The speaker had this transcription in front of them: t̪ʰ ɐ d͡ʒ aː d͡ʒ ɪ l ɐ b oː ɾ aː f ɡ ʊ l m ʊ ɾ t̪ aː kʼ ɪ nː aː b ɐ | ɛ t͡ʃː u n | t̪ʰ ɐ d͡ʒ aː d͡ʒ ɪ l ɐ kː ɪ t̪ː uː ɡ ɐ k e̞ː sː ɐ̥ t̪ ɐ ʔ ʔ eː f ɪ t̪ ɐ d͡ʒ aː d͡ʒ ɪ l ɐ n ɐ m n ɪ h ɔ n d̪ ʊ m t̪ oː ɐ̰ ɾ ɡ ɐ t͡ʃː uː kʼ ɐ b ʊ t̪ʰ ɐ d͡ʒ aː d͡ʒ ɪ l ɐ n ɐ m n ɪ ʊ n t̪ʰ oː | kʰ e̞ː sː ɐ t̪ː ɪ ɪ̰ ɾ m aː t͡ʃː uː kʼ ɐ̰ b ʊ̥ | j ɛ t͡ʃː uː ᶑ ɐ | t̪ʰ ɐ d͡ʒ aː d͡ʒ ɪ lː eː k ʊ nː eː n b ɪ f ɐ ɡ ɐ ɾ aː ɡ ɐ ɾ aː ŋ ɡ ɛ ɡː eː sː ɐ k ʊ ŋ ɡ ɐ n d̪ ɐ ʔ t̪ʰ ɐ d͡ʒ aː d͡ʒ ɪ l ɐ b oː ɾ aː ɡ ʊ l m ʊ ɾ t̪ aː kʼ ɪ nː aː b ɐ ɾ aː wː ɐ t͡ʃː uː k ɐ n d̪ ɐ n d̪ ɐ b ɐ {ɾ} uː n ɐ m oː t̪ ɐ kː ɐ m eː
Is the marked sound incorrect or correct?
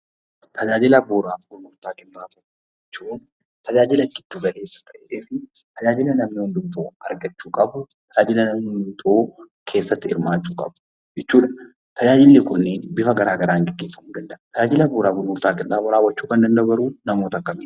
correct